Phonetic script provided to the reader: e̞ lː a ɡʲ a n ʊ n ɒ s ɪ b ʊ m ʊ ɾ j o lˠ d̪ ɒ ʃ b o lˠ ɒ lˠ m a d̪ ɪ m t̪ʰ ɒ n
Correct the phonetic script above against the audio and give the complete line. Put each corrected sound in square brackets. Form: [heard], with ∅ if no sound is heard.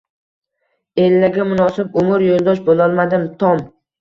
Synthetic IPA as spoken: e̞ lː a ɡʲ a [m] ʊ n ɒ s ɪ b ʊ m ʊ ɾ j o lˠ d̪ ɒ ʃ b o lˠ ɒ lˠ m a d̪ ɪ m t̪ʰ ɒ [m]